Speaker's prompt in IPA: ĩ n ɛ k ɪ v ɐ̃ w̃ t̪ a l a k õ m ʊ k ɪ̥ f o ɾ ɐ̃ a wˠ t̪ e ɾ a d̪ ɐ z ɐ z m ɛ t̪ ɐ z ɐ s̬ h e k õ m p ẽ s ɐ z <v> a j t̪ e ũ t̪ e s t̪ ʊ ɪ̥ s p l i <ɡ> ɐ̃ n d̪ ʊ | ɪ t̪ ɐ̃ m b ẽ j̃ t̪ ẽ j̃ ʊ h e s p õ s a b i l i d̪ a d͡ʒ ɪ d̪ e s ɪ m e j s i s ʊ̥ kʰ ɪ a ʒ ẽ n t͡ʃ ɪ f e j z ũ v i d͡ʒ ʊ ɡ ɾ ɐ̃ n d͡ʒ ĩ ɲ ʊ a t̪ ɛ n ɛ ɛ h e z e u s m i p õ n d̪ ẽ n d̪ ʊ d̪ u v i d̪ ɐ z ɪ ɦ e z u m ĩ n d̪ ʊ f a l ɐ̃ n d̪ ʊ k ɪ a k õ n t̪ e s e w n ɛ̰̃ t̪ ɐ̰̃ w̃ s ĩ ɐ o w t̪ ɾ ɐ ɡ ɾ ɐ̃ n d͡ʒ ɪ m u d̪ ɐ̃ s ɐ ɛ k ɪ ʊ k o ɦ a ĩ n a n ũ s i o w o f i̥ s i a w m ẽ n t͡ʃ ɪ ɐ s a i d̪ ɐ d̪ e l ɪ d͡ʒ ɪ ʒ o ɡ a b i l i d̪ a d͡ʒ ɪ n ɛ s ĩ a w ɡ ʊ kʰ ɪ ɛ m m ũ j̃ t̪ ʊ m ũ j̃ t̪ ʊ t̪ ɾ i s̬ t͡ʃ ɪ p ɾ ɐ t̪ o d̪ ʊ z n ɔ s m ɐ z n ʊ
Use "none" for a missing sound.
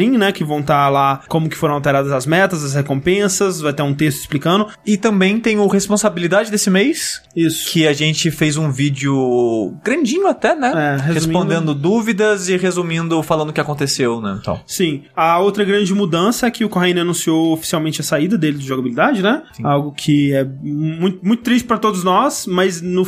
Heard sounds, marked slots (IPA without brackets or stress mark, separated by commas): v, k